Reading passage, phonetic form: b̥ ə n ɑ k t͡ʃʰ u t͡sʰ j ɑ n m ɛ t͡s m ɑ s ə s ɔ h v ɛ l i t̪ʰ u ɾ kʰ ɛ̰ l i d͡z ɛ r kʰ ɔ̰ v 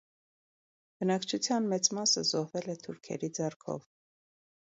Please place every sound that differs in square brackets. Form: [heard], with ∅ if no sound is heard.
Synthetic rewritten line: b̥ ə n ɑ k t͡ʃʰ u t͡sʰ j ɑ n m ɛ t͡s m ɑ s ə [z] ɔ h v ɛ l [ɛ] t̪ʰ u ɾ kʰ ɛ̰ [ɾ] i d͡z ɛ r kʰ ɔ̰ v